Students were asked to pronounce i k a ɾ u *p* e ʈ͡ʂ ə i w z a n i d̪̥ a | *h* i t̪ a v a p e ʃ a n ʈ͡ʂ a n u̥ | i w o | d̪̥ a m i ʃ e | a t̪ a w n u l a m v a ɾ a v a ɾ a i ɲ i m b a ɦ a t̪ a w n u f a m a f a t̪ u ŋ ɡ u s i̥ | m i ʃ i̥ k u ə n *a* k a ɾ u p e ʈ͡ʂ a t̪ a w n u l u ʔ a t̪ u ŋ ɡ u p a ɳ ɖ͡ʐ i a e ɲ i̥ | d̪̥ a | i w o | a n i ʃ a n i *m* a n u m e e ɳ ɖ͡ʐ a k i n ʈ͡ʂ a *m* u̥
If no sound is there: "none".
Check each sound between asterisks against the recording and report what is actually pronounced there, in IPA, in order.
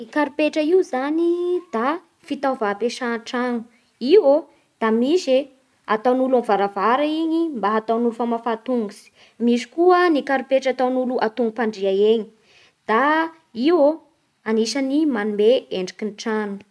p, f, i, m, n

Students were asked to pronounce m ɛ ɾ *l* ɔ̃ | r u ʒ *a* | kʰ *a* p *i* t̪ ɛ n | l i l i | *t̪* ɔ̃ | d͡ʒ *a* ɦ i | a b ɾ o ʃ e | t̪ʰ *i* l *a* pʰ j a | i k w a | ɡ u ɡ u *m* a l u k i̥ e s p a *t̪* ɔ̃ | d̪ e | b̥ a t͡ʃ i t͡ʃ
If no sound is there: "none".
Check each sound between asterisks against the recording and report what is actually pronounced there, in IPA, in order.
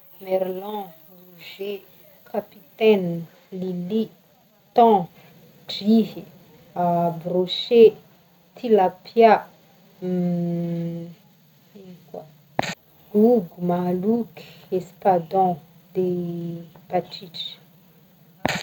l, e, a, i, t̪, i, i, a, m, d̪

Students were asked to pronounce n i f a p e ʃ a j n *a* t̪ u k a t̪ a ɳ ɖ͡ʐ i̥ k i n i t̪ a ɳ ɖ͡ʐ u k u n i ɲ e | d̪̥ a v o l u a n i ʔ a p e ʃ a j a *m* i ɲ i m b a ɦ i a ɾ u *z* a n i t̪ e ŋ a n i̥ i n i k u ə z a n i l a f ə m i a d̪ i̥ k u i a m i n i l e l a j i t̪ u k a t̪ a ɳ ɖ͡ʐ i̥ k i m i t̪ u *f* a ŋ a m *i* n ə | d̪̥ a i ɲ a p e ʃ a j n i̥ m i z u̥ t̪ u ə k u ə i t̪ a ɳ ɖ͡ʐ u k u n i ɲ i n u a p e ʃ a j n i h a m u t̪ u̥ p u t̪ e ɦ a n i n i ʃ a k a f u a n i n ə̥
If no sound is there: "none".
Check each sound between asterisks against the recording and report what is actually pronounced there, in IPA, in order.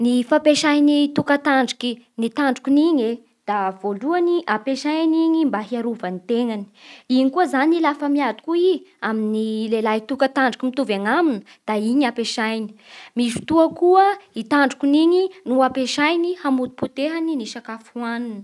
i, n, v, v, i

